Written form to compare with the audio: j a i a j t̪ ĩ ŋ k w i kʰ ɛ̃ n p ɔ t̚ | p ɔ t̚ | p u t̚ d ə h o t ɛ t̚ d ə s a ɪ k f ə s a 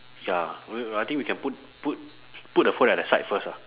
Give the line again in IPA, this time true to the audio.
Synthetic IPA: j a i a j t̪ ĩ ŋ k w i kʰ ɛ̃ n p u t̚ | p u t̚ | p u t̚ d ə f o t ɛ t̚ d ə s a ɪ t f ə s a

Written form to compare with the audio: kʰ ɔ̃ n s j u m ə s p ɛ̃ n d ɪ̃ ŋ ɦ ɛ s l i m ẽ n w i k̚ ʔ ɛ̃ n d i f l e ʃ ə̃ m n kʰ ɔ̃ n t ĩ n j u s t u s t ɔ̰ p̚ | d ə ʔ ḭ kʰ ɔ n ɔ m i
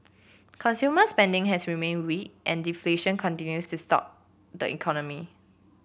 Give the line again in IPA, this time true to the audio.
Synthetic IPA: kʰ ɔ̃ n s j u m ə s p ɛ̃ n d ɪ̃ ŋ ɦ ɛ s ɹ i m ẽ n w i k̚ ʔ ɛ̃ n d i f l e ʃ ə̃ n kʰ ɔ̃ n t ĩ n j u s t u s t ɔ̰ p̚ | d ə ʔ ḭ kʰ ɔ n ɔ m i

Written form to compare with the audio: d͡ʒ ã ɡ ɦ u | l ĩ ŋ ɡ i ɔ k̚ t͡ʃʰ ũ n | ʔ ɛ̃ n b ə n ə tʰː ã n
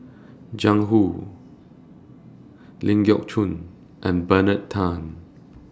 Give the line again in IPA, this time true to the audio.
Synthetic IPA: d͡ʒ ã ŋ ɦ u | l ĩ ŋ ɡ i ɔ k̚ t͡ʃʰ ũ n | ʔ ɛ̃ n b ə n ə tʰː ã n

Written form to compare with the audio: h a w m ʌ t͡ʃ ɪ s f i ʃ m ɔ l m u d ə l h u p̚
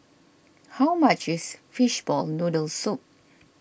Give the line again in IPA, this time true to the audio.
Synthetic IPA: h a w m a t͡ʃ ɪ s f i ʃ b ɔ l n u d ə l s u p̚

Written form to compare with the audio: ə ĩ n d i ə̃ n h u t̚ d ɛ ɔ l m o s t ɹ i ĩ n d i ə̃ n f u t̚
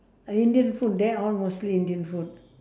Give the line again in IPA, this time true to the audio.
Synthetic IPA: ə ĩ n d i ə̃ n f u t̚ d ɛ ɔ l m o s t l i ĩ n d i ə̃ n f u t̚

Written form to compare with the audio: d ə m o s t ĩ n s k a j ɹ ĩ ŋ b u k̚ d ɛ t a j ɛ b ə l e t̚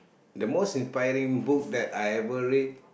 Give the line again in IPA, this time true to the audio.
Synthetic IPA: d ə m o s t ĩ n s p a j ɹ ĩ ŋ b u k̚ d ɛ t a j ɛ v ə ɹ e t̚

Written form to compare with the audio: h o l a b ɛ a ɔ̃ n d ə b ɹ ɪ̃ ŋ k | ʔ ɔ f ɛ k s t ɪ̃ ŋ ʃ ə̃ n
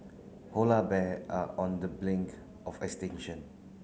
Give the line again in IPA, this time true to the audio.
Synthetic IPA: h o l a b ɛ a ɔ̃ n d ə b l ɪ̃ ŋ k | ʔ ɔ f ɛ k s t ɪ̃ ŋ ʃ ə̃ n

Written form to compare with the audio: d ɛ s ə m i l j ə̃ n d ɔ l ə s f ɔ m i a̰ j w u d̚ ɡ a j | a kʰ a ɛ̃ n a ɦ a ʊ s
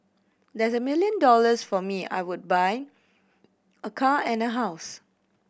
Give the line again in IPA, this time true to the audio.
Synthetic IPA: d ɛ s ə m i l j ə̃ n d ɔ l ə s f ɔ m i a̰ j w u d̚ b a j | ə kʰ a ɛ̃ n ə ɦ a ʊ s

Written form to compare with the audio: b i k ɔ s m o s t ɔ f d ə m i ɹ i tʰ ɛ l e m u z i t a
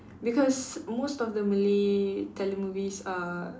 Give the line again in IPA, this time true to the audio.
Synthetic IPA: b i k ɔ s m o s t ɔ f d ə m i l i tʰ ɛ l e m u v i s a

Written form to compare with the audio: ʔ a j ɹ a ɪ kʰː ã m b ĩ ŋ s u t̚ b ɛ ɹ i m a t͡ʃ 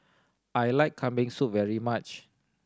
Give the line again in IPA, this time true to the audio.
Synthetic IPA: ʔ a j l a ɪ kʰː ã m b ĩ ŋ s u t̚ v ɛ ɹ i m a t͡ʃ

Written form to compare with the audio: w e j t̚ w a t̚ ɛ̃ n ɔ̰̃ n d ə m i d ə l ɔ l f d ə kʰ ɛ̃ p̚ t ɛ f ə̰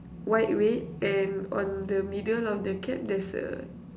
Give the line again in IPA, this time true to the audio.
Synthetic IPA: w a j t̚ w e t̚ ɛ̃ n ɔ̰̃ n d ə m i d ə l ɔ f d ə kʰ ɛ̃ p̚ d ɛ s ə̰

